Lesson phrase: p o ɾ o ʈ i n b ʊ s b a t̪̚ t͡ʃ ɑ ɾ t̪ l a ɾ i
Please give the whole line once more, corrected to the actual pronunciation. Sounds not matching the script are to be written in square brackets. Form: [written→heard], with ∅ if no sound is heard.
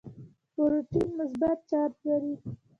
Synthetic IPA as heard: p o ɾ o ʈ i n [b→m] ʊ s b a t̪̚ t͡ʃ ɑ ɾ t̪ l a ɾ i